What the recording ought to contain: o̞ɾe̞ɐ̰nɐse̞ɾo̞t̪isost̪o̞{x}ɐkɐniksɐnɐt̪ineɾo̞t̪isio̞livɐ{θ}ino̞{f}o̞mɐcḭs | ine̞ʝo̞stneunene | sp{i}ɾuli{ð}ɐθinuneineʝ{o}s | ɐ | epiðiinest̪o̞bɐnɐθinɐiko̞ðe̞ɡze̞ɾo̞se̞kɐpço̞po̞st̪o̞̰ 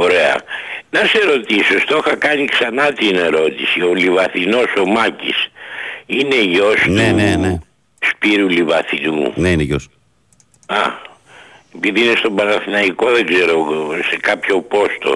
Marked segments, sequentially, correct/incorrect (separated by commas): correct, correct, incorrect, correct, incorrect, correct